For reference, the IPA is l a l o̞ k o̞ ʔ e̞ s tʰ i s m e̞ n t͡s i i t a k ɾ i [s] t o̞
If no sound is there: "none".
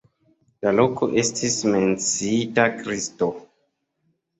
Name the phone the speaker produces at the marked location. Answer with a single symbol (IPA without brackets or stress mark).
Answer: s